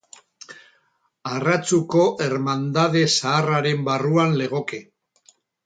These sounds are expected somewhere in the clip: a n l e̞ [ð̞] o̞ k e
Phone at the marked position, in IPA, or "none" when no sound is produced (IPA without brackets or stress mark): ɣ̞